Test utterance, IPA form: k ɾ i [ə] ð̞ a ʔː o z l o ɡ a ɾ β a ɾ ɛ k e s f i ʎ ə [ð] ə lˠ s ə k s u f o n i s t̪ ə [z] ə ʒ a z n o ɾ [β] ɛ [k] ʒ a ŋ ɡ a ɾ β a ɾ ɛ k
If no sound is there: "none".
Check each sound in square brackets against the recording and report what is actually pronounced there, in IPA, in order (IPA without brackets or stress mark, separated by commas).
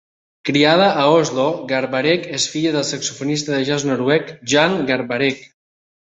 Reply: a, ð, ð, w, k